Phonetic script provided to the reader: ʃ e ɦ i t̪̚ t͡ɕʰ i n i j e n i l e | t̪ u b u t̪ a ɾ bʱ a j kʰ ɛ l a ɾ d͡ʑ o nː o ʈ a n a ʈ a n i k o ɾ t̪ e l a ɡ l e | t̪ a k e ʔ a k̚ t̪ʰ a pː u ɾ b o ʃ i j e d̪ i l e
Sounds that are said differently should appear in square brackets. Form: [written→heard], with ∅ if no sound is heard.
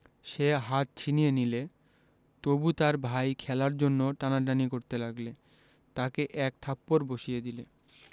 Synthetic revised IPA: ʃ e ɦ [i→a] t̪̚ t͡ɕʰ i n i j e n i l e | t̪ [u→o] b u t̪ a ɾ bʱ a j kʰ ɛ l a ɾ d͡ʑ o nː o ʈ a n a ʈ a n i k o ɾ t̪ e l a ɡ l e | t̪ a k e ʔ [a→ɛ] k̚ t̪ʰ a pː [u→o] ɾ b o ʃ i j e d̪ i l e

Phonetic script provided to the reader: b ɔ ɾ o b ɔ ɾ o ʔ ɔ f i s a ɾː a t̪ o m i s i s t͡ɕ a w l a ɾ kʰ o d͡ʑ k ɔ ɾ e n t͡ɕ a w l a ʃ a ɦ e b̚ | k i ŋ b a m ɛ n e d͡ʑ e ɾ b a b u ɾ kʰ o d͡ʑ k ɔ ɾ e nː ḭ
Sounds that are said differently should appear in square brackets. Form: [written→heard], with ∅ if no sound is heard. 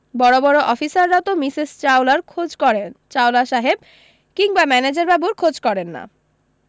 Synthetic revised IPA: b ɔ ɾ o b ɔ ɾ o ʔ ɔ f i s a ɾː a t̪ o m i s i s t͡ɕ a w l a ɾ kʰ o d͡ʑ k ɔ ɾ e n t͡ɕ a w l a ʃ a ɦ e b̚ | k i ŋ b a m ɛ n e d͡ʑ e ɾ b a b u ɾ kʰ o d͡ʑ k ɔ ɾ e nː [ḭ→a̰]

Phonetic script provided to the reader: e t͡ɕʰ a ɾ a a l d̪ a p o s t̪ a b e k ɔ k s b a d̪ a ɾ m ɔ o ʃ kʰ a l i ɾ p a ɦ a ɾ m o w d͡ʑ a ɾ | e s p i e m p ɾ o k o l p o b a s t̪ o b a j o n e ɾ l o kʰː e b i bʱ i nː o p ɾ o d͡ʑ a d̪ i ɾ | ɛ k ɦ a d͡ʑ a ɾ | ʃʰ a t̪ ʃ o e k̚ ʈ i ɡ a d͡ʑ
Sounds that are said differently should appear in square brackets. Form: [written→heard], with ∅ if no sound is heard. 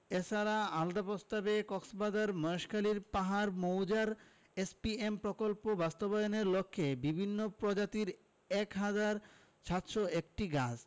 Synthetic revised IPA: e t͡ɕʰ a ɾ a a l d̪ a p o s t̪ a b e k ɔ k s b a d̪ a ɾ m ɔ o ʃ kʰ a l i ɾ p a ɦ a ɾ m o w d͡ʑ a ɾ | e s p i e m p ɾ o k o l p o b a s t̪ o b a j o n e ɾ l o kʰː e b i bʱ i nː o p ɾ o d͡ʑ a [d̪→t̪] i ɾ | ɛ k ɦ a d͡ʑ a ɾ | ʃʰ a t̪ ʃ o e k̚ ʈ i ɡ a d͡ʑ

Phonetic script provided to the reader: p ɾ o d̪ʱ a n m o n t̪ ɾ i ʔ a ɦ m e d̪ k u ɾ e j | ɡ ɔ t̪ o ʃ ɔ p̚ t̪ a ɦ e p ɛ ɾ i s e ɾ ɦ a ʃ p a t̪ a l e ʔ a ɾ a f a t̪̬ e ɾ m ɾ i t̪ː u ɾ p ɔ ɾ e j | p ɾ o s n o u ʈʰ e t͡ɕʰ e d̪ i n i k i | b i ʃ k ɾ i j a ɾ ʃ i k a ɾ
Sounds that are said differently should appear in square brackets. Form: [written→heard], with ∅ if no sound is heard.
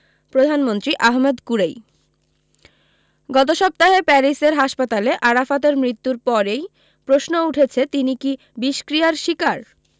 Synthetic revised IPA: p ɾ o d̪ʱ a n m o n t̪ ɾ i ʔ a ɦ m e d̪ k u ɾ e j | ɡ ɔ t̪ o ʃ ɔ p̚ t̪ a ɦ e p ɛ ɾ i s e ɾ ɦ a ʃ p a t̪ a l e ʔ a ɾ a f a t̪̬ e ɾ m ɾ i t̪ː u ɾ p ɔ ɾ e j | p ɾ o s n o u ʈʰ e t͡ɕʰ e [d̪→t̪] i n i k i | b i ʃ k ɾ i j a ɾ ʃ i k a ɾ

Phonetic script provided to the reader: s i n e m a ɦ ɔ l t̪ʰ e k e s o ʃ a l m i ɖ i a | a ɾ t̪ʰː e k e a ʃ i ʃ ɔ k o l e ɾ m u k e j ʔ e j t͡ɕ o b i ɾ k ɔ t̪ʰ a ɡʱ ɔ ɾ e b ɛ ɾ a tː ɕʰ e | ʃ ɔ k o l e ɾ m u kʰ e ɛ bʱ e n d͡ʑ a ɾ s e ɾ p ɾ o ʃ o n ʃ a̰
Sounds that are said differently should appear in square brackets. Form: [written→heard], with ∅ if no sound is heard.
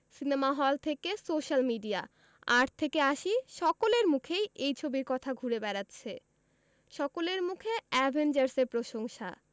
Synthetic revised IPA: s i n e m a ɦ ɔ l t̪ʰ e k e s o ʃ a l m i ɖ i a | a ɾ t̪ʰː e k e a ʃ i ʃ ɔ k o l e ɾ m u [k→kʰ] e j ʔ e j [t͡ɕ→t͡ɕʰ] o b i ɾ k ɔ t̪ʰ a ɡʱ [ɔ→u] ɾ e b ɛ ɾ a tː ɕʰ e | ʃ ɔ k o l e ɾ m u kʰ e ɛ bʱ e n d͡ʑ a ɾ s e ɾ p ɾ o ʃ o [n→ŋ] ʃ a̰

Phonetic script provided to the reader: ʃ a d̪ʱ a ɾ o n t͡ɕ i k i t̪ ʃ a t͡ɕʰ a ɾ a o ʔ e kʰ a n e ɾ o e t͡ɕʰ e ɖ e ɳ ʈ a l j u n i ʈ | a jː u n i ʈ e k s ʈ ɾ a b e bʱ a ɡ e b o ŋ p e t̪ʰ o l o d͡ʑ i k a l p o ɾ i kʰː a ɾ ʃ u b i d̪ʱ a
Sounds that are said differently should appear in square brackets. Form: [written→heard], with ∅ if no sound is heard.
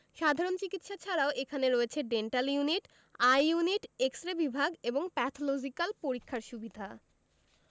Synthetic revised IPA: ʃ a d̪ʱ a ɾ o n t͡ɕ i k i t̪ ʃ a t͡ɕʰ a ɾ a o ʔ e kʰ a n e ɾ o e t͡ɕʰ e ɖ e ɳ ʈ a l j u n i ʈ | a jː u n i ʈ e k s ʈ ɾ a b [e→i] bʱ a ɡ e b o ŋ p [e→ɛ] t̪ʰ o l o d͡ʑ i k a l p o ɾ i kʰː a ɾ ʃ u b i d̪ʱ a

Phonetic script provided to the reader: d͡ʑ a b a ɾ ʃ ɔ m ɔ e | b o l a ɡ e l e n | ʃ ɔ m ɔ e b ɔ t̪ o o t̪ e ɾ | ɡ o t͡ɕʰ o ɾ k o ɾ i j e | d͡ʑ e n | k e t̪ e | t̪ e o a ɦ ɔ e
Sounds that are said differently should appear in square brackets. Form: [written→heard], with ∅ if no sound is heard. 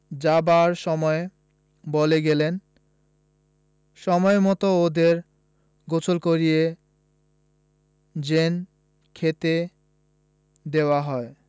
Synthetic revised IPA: d͡ʑ a b a ɾ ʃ ɔ m ɔ e | b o l [a→e] ɡ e l e n | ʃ ɔ m ɔ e [b→m] ɔ t̪ o o [t̪→d̪] e ɾ | ɡ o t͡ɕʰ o [ɾ→l] k o ɾ i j e | d͡ʑ e n | [k→kʰ] e t̪ e | [t̪→d̪] e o a ɦ ɔ e

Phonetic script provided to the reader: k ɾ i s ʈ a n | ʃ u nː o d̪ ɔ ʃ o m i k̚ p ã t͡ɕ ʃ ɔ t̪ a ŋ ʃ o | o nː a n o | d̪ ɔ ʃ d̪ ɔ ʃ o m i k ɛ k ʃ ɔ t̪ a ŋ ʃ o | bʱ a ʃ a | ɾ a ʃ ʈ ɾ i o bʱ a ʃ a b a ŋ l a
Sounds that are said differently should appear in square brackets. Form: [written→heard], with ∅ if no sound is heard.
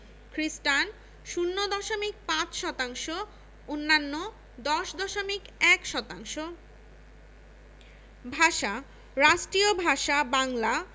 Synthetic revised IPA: k ɾ i s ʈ a n | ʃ u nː o d̪ ɔ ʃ o m i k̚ p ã t͡ɕ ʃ ɔ t̪ a ŋ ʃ o | o nː a [n→nː] o | d̪ ɔ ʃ d̪ ɔ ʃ o m i k ɛ k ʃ ɔ t̪ a ŋ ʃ o | bʱ a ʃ a | ɾ a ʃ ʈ ɾ i o bʱ a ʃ a b a ŋ l a

